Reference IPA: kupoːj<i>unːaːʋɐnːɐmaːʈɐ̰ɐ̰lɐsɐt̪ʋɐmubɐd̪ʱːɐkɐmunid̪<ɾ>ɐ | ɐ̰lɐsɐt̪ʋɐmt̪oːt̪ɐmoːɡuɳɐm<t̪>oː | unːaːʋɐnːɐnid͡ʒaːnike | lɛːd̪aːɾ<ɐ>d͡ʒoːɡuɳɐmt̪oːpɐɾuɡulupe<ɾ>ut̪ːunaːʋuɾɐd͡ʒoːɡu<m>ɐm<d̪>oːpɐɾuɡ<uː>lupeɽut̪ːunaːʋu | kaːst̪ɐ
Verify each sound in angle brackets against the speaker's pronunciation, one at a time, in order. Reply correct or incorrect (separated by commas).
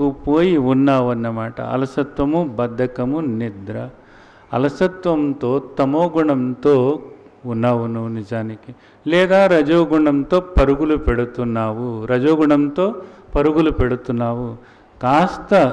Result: correct, correct, correct, correct, incorrect, incorrect, incorrect, incorrect